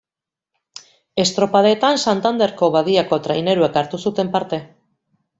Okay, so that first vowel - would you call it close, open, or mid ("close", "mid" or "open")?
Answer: mid